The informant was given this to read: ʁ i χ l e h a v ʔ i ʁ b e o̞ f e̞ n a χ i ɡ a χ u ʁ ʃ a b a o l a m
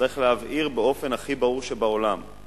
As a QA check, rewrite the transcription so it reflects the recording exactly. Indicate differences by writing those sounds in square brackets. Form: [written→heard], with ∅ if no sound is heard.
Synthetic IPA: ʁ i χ l e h a v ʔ i ʁ b e o̞ f e̞ n a χ i [ɡ→b] a [χ→ʁ] u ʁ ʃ [a→e] b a o l a m